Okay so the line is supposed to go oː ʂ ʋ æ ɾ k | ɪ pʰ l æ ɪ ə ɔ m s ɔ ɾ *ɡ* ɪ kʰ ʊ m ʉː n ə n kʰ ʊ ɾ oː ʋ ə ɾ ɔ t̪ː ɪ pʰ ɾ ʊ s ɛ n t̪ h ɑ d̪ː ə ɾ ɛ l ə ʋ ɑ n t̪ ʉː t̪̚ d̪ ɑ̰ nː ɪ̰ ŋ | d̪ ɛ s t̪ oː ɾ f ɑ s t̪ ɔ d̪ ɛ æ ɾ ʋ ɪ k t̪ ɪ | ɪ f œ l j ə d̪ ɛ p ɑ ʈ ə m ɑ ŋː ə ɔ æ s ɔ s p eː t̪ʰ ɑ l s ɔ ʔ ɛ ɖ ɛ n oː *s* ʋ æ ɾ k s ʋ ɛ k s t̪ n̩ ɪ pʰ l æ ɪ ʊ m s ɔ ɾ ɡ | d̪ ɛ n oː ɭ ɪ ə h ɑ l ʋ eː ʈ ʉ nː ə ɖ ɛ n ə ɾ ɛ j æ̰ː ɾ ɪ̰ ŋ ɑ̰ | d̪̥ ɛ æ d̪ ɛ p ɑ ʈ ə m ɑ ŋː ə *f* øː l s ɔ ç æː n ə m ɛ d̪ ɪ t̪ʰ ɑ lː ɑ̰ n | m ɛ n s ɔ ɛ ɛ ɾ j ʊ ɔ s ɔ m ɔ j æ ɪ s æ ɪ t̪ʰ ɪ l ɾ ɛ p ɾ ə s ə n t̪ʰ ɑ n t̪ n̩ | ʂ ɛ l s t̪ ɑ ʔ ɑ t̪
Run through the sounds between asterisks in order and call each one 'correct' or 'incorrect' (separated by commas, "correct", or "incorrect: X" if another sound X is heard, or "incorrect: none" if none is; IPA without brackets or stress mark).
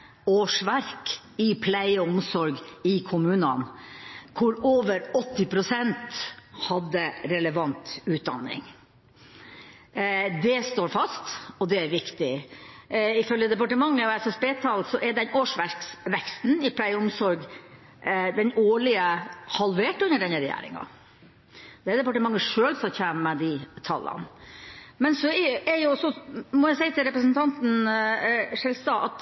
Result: correct, incorrect: ʂ, incorrect: ʂ